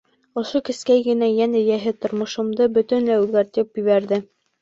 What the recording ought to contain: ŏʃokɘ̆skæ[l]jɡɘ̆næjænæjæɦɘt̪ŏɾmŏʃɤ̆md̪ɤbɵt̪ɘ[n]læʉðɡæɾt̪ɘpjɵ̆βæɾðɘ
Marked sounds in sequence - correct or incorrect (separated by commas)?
incorrect, correct